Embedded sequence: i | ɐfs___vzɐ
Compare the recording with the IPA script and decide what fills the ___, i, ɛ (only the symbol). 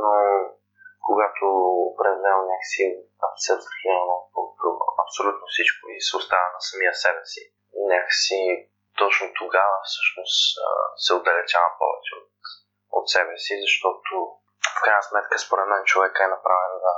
ɛ